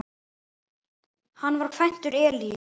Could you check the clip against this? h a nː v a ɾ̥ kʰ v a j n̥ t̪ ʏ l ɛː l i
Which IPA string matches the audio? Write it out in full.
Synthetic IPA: h a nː v a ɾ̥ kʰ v a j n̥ t̪ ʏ ɾ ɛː l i